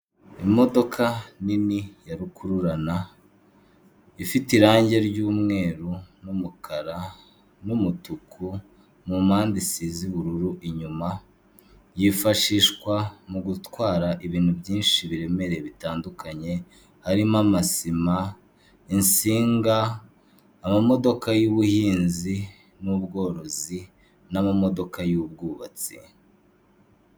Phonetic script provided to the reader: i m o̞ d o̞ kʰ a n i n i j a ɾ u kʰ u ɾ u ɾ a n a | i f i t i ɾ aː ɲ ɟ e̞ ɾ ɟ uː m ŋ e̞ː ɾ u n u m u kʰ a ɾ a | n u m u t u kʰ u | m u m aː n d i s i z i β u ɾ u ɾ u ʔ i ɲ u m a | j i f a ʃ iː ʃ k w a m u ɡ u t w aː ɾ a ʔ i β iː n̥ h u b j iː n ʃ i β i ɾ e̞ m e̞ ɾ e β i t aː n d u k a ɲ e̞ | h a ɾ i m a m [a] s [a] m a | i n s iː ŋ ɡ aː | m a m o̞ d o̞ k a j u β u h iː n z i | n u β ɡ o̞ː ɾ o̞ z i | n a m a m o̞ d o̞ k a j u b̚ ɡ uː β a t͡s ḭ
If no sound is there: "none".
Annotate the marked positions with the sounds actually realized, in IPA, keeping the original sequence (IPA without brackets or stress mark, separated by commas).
a, i